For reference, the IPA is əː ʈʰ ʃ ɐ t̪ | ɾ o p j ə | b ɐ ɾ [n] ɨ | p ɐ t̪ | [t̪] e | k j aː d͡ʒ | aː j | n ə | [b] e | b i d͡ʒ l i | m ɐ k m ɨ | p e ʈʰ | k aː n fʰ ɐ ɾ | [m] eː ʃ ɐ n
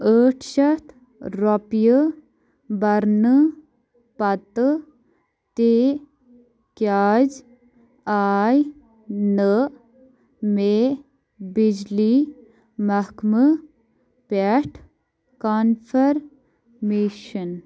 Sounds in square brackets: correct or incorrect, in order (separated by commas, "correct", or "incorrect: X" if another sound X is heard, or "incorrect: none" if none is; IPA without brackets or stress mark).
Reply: correct, correct, incorrect: m, correct